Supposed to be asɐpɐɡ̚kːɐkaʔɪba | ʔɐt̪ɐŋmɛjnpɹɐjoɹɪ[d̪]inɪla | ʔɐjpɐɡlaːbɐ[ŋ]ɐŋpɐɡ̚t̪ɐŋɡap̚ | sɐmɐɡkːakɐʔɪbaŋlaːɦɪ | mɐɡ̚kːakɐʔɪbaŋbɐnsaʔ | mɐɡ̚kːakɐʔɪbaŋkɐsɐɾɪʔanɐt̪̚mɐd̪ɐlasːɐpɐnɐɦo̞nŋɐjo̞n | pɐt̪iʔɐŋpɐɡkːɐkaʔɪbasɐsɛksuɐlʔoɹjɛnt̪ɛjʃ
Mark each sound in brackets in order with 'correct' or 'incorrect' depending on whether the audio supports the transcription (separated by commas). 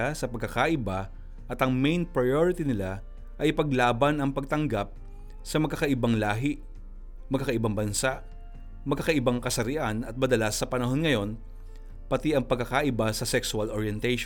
incorrect, incorrect